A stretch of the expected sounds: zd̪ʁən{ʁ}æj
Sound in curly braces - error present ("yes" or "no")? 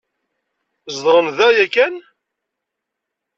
yes